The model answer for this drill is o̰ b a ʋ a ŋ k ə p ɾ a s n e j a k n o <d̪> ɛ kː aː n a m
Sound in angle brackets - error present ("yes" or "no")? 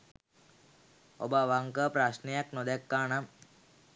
no